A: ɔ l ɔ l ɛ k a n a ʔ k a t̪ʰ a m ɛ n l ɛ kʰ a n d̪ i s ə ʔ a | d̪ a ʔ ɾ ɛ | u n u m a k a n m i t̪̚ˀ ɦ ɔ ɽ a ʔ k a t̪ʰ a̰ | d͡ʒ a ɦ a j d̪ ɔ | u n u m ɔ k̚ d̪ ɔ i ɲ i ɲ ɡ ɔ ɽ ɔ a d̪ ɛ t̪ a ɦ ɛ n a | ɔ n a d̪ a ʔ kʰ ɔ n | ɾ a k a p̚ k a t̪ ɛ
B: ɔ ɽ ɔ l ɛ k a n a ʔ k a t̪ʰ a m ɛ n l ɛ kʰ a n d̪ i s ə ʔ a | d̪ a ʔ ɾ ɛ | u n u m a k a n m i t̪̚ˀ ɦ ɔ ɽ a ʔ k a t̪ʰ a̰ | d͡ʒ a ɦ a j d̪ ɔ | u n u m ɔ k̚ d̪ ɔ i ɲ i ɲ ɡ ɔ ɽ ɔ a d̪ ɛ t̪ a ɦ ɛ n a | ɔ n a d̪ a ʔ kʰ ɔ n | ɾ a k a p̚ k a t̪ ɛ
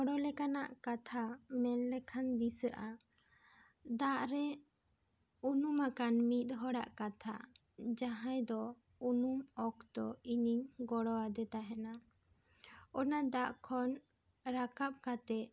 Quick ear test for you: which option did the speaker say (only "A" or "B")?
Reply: B